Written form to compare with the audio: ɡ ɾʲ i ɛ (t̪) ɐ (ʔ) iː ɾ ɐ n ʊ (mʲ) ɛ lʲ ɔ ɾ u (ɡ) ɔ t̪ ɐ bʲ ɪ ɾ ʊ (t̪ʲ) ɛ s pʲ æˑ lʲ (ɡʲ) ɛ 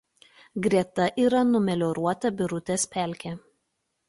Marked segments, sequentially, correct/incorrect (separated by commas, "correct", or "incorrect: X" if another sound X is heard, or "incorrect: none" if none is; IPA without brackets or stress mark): correct, correct, correct, incorrect: none, correct, incorrect: kʲ